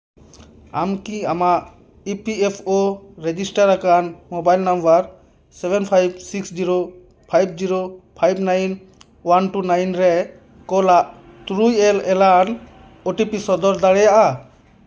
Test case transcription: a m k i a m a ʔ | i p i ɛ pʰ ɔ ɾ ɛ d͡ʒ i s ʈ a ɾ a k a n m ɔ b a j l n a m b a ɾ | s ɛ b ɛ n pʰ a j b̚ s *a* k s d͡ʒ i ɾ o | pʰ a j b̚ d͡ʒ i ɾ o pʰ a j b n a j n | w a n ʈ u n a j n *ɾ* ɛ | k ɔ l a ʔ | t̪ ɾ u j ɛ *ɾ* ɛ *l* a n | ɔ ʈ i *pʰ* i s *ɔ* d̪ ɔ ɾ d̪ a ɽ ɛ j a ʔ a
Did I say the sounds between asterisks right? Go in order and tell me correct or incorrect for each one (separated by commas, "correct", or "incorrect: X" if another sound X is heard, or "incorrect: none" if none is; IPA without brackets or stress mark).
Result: incorrect: i, correct, incorrect: l, correct, incorrect: p, correct